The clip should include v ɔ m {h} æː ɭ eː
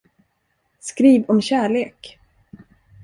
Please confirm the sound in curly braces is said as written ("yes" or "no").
no